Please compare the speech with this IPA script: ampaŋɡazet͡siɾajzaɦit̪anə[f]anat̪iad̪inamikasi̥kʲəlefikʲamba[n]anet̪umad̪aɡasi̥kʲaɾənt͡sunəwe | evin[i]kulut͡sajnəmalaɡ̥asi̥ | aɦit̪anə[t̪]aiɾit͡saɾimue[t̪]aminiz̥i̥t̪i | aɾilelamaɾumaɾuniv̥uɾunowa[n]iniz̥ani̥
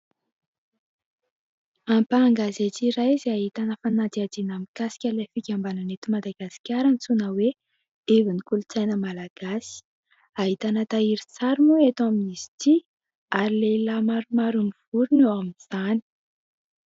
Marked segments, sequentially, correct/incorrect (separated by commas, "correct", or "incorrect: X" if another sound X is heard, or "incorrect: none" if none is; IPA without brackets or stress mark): correct, correct, correct, correct, correct, incorrect: m